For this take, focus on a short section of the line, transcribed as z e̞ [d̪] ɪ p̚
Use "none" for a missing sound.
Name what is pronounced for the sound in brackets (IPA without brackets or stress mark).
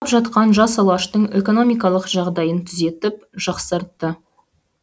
t̪